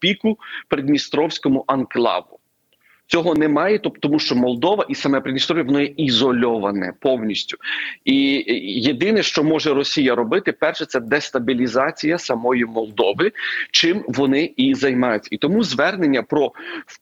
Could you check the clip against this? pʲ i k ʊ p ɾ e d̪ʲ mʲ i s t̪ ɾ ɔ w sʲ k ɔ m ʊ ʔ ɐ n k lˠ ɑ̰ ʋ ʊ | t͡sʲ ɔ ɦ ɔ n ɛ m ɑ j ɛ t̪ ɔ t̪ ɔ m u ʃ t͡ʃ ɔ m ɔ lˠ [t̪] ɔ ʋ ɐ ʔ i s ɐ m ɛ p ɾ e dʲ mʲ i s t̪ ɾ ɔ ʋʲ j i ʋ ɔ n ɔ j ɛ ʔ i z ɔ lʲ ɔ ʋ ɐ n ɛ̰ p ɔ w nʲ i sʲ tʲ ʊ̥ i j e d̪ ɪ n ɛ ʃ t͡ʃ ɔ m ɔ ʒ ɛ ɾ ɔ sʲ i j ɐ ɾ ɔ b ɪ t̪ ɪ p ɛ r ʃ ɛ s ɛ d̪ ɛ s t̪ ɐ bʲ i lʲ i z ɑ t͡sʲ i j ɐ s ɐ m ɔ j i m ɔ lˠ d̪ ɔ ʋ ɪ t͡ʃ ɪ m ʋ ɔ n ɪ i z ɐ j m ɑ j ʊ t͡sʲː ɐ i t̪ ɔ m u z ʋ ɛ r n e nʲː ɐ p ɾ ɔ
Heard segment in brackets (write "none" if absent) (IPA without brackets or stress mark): d̪